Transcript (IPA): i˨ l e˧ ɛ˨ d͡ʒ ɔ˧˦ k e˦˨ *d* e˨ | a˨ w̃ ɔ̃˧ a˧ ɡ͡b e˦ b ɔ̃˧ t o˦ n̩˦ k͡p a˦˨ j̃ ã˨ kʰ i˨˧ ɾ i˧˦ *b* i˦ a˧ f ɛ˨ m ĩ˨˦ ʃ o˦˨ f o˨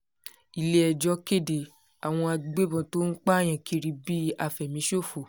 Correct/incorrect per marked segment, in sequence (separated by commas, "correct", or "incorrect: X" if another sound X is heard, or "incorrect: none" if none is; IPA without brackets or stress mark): correct, correct